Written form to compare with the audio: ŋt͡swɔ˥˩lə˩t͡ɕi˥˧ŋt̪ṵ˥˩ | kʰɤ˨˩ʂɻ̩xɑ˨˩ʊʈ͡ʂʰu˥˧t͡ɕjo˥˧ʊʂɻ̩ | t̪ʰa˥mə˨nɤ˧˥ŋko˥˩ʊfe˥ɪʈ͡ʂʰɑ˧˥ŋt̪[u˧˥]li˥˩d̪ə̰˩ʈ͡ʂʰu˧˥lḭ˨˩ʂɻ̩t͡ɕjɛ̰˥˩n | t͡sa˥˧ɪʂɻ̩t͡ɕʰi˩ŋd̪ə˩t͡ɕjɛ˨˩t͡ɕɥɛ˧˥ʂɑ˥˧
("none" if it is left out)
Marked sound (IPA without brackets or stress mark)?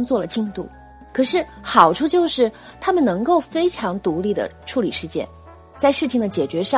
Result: u˧˥